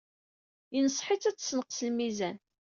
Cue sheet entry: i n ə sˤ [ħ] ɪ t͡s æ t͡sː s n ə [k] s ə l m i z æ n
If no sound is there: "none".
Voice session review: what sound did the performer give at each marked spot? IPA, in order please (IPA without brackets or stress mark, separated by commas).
ħ, q